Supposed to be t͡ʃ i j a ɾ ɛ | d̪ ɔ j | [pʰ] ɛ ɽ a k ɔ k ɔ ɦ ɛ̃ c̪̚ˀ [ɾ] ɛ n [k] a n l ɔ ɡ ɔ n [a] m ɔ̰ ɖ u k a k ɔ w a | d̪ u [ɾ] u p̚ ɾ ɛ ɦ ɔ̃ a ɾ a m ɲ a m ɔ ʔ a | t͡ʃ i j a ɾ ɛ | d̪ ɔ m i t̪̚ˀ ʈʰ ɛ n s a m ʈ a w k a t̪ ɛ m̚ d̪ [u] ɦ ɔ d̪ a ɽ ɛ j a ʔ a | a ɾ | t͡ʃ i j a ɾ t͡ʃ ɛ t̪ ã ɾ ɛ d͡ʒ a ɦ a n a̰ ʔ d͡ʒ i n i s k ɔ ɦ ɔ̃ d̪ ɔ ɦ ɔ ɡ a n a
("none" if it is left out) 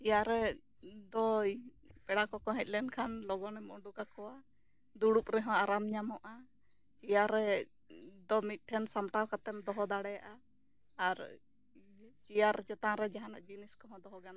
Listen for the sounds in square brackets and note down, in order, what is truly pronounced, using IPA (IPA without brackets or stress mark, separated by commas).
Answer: p, l, kʰ, ɛ, ɽ, ɔ